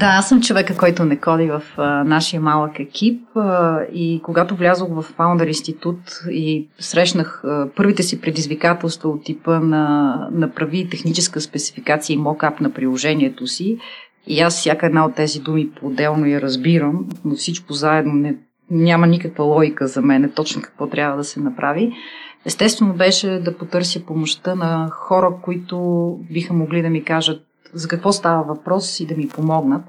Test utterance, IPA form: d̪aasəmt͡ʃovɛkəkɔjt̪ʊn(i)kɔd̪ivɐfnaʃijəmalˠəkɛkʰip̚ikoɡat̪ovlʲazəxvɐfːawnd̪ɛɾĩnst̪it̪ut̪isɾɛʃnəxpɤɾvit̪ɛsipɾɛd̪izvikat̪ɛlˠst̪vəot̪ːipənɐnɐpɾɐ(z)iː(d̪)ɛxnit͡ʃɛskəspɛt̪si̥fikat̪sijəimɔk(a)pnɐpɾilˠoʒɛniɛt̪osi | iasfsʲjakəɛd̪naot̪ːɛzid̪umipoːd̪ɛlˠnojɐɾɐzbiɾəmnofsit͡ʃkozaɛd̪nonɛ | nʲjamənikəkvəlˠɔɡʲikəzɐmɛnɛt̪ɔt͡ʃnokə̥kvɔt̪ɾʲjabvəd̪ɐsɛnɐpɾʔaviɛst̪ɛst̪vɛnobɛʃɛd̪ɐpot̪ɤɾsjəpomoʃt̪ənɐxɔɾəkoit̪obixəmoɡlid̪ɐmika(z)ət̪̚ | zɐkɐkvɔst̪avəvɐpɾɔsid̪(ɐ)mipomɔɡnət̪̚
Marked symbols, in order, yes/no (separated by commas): no, no, no, yes, no, yes